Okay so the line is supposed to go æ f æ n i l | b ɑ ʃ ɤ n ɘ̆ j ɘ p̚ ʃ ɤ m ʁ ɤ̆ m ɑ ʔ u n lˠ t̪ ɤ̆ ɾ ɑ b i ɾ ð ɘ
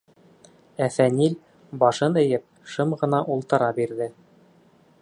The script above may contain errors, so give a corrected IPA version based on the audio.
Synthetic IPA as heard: æ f æ n i l | b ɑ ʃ ɤ n ɘ̆ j ɘ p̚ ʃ ɤ m ʁ ɤ̆ n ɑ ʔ u lˠ t̪ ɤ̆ ɾ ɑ b i ɾ ð ɘ